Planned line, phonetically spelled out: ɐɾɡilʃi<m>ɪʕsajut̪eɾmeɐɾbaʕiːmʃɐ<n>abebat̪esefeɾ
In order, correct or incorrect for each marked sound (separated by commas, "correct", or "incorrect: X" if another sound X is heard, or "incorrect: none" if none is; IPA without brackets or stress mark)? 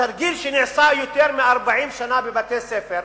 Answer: incorrect: n, correct